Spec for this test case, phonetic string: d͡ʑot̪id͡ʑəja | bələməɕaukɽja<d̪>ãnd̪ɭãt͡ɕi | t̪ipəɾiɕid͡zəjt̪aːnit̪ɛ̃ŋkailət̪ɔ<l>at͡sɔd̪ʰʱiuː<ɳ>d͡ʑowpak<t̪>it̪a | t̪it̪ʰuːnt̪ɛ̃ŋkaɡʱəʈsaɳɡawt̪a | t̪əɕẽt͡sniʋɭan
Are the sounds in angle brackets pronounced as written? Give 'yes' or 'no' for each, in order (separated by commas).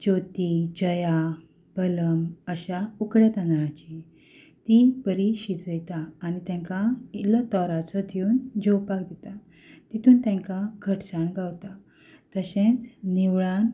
no, no, no, no